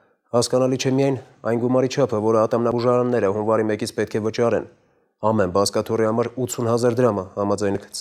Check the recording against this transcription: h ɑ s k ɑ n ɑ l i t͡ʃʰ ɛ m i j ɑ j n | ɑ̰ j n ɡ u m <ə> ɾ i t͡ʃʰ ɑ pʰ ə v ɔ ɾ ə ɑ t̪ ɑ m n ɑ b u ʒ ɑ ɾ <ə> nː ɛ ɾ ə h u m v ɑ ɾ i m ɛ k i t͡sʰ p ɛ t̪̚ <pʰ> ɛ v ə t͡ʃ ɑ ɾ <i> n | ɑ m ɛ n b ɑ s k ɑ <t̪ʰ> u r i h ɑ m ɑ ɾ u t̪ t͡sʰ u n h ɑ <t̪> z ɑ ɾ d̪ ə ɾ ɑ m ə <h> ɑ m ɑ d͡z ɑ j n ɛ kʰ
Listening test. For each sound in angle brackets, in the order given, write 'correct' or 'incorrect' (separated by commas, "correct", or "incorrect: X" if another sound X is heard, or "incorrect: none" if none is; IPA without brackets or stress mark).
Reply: incorrect: ɑ, incorrect: ɑ, incorrect: kʰ, incorrect: ɛ, correct, incorrect: none, correct